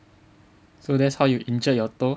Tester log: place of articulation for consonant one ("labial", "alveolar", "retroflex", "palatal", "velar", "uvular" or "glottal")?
alveolar